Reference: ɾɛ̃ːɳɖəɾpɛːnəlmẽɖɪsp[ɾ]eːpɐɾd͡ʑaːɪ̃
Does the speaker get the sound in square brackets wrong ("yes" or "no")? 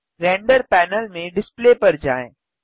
yes